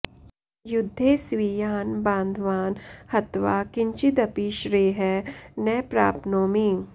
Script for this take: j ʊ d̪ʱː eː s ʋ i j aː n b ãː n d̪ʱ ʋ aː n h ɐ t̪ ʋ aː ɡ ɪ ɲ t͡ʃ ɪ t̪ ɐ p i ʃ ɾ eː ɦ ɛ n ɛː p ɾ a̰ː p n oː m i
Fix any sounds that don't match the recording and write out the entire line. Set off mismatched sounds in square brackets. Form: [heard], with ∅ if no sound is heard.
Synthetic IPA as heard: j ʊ d̪ʱː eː s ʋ i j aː n b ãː n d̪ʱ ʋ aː n h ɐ t̪ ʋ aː [k] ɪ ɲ t͡ʃ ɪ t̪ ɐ p i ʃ ɾ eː ɦ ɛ n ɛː p ɾ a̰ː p n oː m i